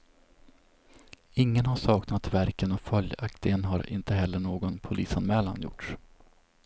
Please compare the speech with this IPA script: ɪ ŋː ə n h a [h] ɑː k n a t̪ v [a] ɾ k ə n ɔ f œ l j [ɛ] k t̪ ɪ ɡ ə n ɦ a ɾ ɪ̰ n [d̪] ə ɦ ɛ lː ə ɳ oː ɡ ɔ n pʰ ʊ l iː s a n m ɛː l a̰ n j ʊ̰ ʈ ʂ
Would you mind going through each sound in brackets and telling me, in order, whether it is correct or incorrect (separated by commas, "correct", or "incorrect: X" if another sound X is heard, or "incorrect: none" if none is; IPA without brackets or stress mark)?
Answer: incorrect: ʂ, incorrect: æ, incorrect: a, incorrect: t̪